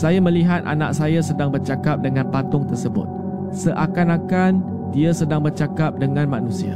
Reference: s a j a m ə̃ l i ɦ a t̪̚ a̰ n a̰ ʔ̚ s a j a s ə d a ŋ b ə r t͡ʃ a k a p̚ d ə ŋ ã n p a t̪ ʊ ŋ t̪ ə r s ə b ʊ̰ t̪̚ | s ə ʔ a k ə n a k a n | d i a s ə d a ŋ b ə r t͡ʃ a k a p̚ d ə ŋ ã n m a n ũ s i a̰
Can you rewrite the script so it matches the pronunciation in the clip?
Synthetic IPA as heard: s a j a m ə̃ l i ɦ a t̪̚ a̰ n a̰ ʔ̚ s a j a s ə d a ŋ b ə r t͡ʃ a k a p̚ d ə ŋ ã n p a t̪ ʊ ŋ t̪ ə r s ə b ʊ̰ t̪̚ | s ə ʔ a k a n a k a n | d i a s ə d a ŋ b ə r t͡ʃ a k a p̚ d ə ŋ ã n m a n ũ s i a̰